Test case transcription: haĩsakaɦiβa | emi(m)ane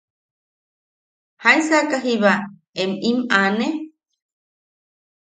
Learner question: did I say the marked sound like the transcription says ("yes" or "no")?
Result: yes